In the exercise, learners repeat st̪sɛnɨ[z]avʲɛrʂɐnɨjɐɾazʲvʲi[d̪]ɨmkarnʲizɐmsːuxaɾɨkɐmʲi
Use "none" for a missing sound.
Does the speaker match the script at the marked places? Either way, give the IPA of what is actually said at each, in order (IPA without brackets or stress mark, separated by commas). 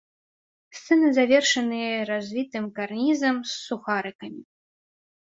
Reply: z, t̪